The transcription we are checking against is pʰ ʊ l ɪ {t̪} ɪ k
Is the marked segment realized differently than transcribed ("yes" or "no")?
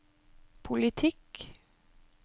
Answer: yes